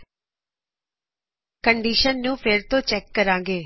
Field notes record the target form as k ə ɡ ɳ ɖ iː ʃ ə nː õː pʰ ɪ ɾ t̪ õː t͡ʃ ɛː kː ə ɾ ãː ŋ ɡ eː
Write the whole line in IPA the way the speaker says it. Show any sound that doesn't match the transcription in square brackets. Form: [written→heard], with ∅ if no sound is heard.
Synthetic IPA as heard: k ə [ɡ→∅] ɳ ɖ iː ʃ ə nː [õː→ũː] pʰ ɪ ɾ t̪ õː t͡ʃ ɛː kː ə ɾ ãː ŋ ɡ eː